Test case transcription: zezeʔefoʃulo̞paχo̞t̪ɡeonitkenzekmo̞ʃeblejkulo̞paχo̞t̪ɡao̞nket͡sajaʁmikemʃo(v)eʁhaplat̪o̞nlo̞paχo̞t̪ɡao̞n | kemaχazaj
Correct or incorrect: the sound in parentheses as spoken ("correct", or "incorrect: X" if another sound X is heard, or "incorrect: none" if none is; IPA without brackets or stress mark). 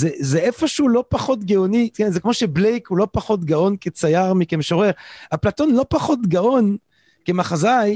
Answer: incorrect: ʁ